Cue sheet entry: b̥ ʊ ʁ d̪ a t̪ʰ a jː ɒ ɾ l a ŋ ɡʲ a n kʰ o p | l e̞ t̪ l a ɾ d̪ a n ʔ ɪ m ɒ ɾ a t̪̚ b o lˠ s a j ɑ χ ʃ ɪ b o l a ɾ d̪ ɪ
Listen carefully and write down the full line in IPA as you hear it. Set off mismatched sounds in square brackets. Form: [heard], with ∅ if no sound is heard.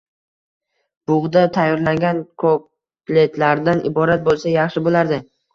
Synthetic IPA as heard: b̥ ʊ ʁ d̪ a t̪ʰ a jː ɒ ɾ l a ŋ ɡʲ a n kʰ o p | l e̞ t̪ l a ɾ d̪ a n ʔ ɪ [b] ɒ ɾ a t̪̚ b o lˠ s a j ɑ χ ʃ ɪ b o l a ɾ d̪ ɪ